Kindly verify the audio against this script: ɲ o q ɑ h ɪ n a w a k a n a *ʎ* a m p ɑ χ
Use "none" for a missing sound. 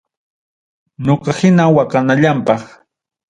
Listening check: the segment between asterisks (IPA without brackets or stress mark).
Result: ʎ